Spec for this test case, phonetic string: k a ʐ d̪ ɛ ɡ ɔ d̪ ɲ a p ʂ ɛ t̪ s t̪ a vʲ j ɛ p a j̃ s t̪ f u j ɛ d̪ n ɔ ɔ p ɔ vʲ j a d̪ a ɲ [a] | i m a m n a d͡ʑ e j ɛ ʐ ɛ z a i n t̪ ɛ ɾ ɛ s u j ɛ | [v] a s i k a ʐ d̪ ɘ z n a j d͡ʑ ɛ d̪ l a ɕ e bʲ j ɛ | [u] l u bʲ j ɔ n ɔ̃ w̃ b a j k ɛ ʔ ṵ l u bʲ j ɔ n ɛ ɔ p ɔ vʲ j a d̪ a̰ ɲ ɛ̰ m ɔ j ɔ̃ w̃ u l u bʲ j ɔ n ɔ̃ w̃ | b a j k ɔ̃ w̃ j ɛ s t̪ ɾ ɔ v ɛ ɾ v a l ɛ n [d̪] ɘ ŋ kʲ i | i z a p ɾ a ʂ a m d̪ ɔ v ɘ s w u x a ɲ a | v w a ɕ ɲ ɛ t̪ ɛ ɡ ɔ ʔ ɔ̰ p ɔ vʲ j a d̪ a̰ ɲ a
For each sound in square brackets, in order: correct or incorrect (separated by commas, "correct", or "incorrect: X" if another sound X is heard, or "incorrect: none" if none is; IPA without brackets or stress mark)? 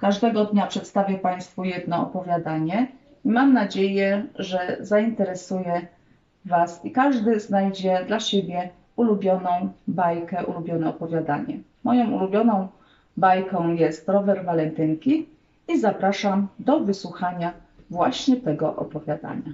incorrect: ɛ, correct, correct, incorrect: t̪